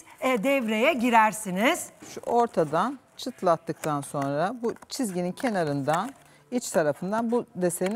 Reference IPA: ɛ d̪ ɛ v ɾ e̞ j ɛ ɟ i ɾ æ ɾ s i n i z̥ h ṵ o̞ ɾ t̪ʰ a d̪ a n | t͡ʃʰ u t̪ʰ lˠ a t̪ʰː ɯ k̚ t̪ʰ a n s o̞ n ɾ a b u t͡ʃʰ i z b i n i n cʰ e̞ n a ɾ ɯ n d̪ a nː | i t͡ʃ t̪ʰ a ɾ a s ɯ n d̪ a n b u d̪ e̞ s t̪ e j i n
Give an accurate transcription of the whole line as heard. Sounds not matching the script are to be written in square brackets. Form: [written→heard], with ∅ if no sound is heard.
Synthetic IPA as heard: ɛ d̪ ɛ v ɾ e̞ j ɛ ɟ i ɾ æ ɾ s i n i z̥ [h→ʃ] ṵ o̞ ɾ t̪ʰ a d̪ a n | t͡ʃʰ [u→ɯ] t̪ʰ lˠ a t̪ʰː ɯ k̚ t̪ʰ a n s o̞ n ɾ a b u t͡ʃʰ i z [b→ɟ] i n i n cʰ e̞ n a ɾ ɯ n d̪ a [nː→n] | i t͡ʃ t̪ʰ a ɾ a [s→f] ɯ n d̪ a n b u d̪ e̞ s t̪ e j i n